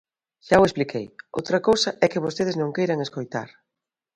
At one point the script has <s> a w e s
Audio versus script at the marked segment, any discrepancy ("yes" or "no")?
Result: yes